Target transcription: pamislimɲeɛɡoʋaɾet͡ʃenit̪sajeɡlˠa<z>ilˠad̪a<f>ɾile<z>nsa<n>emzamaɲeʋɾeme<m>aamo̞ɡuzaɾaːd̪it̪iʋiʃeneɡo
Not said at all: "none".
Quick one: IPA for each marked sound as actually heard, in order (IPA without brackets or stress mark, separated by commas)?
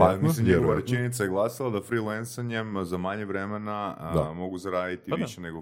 s, f, none, ɲ, n